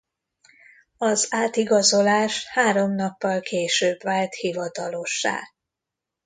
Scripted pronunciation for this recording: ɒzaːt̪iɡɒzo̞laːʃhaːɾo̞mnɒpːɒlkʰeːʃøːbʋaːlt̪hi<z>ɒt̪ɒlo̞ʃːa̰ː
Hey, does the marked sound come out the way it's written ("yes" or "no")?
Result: no